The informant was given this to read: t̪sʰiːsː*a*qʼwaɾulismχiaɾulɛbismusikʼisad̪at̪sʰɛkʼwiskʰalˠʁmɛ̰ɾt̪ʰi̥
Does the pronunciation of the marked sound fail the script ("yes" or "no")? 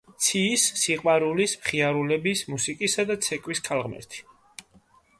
yes